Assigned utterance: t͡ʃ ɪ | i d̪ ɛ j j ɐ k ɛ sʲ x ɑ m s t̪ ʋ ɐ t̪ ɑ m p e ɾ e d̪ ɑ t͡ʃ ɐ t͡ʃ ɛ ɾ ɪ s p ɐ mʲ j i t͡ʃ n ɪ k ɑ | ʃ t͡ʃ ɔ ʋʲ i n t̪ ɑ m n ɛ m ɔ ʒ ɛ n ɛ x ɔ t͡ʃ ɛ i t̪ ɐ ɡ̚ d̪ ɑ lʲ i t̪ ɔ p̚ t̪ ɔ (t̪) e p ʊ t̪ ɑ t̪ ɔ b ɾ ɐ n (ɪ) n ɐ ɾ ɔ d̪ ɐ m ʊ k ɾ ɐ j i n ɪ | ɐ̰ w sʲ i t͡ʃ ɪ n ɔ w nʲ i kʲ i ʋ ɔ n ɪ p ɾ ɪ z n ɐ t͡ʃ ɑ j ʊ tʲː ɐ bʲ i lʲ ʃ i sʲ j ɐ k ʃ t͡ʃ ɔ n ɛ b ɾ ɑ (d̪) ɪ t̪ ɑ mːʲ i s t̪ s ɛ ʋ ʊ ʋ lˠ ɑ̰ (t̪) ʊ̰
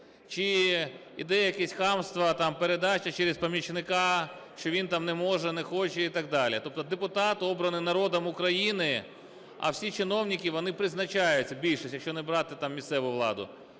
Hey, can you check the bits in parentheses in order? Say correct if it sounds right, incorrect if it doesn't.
incorrect: d̪, correct, incorrect: t̪, incorrect: d̪

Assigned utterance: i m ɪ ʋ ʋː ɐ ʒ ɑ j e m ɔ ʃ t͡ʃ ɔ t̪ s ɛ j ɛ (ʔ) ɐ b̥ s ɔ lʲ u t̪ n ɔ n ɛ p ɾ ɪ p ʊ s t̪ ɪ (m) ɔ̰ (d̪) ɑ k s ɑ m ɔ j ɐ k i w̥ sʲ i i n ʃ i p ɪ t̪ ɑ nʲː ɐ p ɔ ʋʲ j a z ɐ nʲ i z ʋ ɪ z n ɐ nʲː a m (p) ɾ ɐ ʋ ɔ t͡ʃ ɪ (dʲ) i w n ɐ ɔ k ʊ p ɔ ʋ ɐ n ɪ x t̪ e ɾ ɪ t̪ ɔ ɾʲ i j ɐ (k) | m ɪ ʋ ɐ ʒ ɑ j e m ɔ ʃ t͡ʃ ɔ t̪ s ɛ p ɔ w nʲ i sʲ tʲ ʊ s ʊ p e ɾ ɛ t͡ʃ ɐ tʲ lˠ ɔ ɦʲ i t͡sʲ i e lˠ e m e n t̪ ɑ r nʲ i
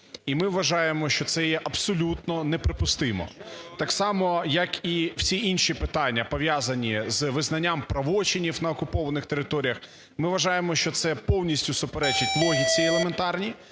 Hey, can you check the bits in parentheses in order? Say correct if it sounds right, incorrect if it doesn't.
correct, correct, incorrect: t̪, correct, incorrect: nʲ, incorrect: x

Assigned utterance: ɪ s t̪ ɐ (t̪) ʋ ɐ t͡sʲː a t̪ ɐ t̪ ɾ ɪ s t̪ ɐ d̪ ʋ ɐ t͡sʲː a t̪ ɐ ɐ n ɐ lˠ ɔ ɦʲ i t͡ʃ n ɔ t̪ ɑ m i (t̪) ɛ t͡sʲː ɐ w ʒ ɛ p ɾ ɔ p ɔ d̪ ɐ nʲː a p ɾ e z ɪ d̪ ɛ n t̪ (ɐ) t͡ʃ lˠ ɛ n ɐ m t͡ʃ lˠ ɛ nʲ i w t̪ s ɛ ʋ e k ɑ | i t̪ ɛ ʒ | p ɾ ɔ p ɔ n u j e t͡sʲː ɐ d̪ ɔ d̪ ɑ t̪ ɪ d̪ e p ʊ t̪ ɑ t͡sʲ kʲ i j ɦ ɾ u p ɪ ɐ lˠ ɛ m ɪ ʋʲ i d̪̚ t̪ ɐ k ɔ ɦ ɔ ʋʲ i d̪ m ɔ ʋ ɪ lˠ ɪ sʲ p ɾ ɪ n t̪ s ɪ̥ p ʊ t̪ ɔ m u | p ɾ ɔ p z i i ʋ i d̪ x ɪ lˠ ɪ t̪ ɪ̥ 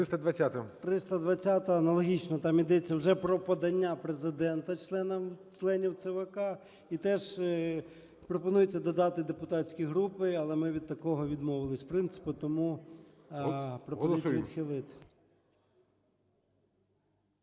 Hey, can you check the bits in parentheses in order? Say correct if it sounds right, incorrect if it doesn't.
incorrect: d̪, incorrect: d̪, correct

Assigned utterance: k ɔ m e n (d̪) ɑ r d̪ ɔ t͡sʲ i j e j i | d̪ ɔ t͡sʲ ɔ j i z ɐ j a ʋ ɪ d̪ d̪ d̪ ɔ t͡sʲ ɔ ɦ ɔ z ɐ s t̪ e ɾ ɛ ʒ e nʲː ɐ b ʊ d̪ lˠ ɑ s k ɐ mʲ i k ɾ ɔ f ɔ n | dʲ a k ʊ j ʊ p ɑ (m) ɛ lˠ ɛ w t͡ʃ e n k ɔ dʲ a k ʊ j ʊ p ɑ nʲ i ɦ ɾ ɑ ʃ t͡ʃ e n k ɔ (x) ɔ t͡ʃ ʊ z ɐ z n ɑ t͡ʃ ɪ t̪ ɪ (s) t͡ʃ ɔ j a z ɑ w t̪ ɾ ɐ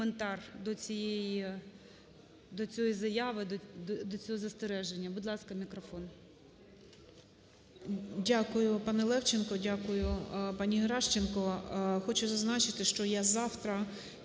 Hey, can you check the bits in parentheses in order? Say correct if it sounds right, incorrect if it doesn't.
incorrect: t̪, incorrect: n, correct, incorrect: ʃ

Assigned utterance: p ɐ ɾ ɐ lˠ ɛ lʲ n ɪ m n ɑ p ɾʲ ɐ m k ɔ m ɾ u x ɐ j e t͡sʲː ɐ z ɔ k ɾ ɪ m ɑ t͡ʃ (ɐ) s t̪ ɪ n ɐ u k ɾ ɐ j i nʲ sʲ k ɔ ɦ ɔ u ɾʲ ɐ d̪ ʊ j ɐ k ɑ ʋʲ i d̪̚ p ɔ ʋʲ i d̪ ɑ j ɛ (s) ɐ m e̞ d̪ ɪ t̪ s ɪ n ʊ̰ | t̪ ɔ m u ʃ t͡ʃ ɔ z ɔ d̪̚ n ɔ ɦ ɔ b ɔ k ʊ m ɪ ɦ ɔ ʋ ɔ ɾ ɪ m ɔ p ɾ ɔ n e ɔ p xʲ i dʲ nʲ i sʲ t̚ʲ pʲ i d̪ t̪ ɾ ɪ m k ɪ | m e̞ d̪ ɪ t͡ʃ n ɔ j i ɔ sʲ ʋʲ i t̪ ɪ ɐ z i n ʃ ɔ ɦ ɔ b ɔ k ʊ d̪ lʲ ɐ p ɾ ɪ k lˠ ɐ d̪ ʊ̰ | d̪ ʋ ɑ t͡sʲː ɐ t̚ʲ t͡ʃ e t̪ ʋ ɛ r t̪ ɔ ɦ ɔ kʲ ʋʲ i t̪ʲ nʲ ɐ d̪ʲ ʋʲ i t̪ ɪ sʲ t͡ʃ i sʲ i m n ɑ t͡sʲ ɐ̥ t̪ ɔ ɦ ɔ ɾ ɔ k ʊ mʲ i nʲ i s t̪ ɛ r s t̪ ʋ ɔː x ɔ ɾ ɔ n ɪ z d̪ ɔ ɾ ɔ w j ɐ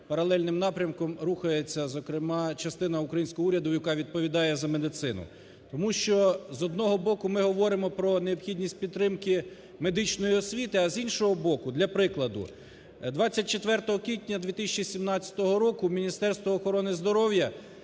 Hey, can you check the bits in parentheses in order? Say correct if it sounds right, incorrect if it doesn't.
correct, incorrect: z

